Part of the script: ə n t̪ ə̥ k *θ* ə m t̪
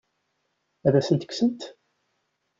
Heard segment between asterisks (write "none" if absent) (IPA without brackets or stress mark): s